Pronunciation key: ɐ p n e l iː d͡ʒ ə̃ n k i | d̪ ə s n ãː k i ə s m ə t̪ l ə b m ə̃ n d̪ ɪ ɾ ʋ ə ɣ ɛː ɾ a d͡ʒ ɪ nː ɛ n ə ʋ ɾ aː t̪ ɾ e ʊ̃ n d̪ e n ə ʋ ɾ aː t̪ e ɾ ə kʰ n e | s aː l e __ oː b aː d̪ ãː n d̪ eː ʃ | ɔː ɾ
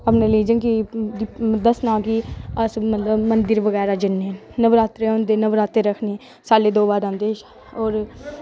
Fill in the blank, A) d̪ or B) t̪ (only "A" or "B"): A